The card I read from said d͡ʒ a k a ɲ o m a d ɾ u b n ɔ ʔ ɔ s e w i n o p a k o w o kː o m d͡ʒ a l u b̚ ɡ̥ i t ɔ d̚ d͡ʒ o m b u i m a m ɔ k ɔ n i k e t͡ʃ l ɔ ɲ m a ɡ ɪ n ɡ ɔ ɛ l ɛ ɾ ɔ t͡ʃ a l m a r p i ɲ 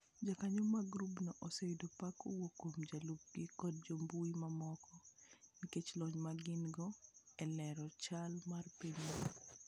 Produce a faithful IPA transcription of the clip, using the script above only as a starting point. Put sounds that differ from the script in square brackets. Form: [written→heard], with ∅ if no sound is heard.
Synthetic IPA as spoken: d͡ʒ a k a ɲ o m a [d→ɡ] ɾ u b n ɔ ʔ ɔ s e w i [n→d] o p a k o w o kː o m d͡ʒ a l u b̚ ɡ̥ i [t→k] ɔ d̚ d͡ʒ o m b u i m a m ɔ k ɔ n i k e t͡ʃ l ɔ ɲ m a ɡ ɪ n ɡ ɔ ɛ l ɛ ɾ ɔ t͡ʃ a l m a r p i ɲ